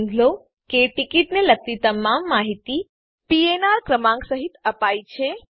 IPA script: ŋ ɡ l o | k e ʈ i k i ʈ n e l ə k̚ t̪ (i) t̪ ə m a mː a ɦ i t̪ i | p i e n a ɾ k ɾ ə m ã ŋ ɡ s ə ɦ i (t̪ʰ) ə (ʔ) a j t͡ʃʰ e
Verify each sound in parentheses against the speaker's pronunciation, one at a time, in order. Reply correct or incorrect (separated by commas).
correct, incorrect, incorrect